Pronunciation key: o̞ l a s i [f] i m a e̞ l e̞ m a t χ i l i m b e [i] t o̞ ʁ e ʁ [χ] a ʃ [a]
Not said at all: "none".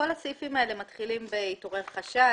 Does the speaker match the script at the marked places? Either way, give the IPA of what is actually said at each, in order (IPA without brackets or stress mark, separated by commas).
f, i, χ, a